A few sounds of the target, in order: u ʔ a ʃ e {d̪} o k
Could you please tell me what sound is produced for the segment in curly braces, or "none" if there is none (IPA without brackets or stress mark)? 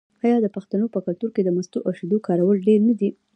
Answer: d̪